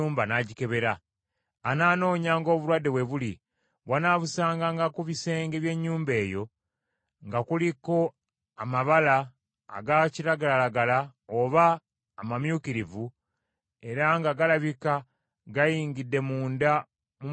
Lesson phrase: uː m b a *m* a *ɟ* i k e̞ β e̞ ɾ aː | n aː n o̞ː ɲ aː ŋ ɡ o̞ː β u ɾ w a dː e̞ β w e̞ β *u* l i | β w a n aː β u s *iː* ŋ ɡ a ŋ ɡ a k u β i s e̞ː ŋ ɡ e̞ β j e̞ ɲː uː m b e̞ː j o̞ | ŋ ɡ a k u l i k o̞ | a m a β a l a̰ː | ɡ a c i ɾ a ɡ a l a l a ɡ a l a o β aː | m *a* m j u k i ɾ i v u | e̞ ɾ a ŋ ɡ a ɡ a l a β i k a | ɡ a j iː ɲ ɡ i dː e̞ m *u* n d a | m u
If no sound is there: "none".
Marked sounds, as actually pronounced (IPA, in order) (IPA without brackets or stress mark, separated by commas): n, ɟ, u, aː, a, uː